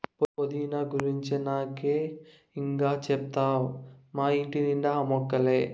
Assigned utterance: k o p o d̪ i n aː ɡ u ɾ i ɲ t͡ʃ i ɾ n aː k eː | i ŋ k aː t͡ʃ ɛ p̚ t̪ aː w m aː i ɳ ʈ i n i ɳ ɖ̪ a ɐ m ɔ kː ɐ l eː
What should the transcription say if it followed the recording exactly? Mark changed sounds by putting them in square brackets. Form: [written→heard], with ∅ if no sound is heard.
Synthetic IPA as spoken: [k→p] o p o d̪ i n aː ɡ u ɾ i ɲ t͡ʃ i [ɾ→∅] n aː k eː | i ŋ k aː t͡ʃ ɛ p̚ t̪ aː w m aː i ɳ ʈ i n i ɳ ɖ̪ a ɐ m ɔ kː ɐ l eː